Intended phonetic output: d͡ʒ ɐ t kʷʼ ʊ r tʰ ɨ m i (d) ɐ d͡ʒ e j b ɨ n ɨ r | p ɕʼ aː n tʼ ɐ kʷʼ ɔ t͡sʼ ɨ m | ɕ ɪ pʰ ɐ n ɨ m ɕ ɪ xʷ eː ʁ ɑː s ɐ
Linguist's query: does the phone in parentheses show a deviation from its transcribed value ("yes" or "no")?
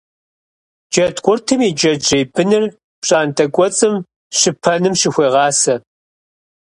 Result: yes